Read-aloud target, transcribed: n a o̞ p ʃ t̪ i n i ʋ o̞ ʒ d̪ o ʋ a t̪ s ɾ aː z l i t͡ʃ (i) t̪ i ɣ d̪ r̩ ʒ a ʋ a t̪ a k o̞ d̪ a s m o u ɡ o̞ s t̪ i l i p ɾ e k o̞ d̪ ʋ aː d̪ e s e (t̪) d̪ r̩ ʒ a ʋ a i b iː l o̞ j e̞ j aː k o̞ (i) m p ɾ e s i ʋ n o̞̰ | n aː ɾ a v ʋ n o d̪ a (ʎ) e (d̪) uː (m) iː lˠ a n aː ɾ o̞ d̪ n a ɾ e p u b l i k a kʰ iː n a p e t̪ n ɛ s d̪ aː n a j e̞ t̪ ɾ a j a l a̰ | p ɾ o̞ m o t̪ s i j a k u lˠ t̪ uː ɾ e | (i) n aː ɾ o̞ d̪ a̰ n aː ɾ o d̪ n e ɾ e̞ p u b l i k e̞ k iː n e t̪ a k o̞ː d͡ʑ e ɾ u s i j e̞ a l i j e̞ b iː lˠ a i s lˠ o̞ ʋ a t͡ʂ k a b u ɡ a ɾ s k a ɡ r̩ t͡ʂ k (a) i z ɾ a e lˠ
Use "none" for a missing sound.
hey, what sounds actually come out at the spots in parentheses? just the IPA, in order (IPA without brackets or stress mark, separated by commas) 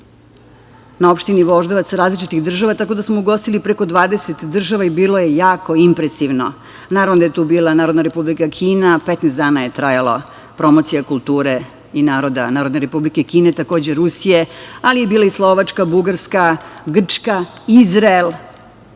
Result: i, t̪, i, j, t̪, b, i, a